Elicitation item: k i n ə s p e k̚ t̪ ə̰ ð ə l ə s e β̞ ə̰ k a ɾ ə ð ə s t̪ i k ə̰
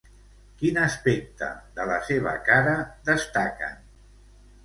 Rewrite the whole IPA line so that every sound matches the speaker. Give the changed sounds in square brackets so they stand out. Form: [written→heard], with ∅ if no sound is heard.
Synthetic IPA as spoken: k i n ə s p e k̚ t̪ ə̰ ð ə l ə s e β̞ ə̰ k a ɾ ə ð ə s t̪ [i→a] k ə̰